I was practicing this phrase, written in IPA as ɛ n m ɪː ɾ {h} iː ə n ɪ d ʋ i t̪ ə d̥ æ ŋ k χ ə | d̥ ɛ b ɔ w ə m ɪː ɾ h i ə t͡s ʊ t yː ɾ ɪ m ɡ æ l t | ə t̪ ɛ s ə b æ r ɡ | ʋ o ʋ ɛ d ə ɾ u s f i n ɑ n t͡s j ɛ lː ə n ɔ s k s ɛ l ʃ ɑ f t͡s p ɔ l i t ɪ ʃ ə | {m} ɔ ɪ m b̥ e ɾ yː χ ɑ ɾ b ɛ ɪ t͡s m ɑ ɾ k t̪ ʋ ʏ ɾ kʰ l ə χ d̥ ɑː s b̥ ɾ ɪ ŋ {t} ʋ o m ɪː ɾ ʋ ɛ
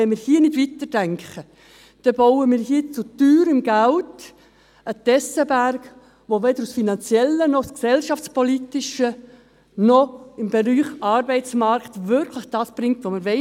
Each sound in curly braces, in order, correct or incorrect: correct, incorrect: n, correct

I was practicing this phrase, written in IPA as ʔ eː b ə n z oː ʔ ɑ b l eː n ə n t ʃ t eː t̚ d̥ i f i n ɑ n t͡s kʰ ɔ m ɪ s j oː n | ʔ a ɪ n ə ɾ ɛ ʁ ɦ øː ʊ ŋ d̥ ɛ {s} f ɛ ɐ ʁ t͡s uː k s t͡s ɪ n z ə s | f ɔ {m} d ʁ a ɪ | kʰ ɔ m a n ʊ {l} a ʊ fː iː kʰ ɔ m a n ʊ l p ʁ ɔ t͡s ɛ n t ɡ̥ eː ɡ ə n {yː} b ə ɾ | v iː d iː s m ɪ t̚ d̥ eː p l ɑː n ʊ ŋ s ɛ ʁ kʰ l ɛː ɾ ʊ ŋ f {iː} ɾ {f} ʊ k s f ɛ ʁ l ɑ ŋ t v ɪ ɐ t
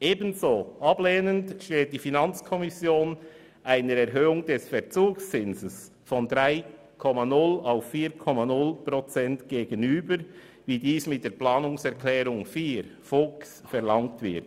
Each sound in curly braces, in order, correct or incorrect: correct, incorrect: n, correct, correct, correct, correct

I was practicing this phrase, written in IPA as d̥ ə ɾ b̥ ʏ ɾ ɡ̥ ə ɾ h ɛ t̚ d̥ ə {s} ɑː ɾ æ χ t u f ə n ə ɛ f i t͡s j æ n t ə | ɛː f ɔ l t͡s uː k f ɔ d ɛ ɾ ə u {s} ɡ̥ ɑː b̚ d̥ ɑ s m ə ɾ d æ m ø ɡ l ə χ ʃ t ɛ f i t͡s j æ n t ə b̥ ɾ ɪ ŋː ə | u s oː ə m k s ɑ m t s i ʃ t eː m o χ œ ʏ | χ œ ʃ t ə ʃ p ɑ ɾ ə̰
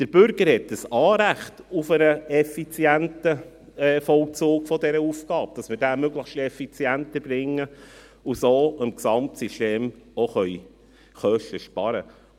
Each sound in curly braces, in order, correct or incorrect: correct, incorrect: f

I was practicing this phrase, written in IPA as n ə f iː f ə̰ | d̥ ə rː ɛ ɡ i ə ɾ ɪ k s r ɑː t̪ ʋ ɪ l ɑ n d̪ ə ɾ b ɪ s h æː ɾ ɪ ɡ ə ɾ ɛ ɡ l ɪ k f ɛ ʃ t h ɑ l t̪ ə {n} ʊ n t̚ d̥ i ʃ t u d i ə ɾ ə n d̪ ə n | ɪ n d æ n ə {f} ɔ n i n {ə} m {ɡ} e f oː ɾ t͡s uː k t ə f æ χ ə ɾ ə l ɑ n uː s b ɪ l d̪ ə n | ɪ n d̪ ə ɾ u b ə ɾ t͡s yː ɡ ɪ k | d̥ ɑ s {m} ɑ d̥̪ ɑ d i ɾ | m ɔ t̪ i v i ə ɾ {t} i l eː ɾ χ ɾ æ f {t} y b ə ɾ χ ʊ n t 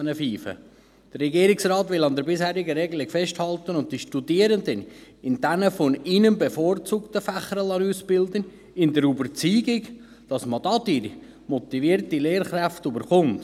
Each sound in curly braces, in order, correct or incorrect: correct, correct, correct, incorrect: b, correct, correct, correct

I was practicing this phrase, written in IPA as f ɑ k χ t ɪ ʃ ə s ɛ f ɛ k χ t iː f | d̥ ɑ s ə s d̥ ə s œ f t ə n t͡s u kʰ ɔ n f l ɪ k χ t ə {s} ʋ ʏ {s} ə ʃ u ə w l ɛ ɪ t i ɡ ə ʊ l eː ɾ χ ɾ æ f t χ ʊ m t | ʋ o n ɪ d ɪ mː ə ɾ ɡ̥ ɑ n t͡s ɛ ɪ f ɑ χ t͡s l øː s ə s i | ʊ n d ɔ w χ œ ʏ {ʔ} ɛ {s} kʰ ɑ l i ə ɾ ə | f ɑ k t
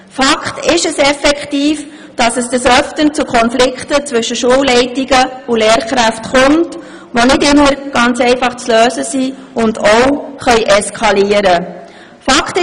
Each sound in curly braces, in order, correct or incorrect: incorrect: t͡s, incorrect: ʃ, correct, correct

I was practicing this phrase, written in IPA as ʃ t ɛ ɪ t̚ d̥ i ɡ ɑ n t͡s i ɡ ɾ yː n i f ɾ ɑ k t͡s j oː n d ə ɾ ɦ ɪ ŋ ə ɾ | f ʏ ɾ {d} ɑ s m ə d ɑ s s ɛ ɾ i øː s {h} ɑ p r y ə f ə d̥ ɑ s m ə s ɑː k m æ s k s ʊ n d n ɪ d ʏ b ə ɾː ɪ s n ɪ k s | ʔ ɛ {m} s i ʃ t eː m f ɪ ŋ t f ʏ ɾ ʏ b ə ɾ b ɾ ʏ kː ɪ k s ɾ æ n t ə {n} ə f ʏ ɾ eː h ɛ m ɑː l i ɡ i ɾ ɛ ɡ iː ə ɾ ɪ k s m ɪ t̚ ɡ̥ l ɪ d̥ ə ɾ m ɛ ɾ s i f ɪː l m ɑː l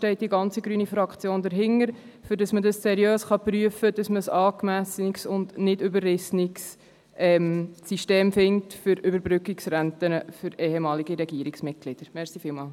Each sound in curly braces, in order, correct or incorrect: correct, incorrect: χ, correct, correct

